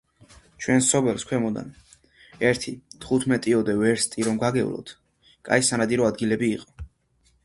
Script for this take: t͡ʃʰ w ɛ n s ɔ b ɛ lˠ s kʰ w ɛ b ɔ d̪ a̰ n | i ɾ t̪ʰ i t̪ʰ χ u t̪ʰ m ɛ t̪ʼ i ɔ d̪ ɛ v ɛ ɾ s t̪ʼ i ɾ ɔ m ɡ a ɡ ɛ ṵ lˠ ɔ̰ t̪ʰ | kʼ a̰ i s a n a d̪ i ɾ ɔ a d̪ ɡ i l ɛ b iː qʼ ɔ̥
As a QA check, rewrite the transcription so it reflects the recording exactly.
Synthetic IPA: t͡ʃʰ w ɛ n s ɔ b ɛ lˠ s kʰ w ɛ m ɔ d̪ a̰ n | ɛ ɾ t̪ʰ i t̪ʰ χ u t̪ʰ m ɛ t̪ʼ i ɔ d̪ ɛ v ɛ ɾ s t̪ʼ i ɾ ɔ m ɡ a ɡ ɛ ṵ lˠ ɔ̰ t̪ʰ | kʼ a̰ i s a n a d̪ i ɾ ɔ a d̪ ɡ i l ɛ b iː qʼ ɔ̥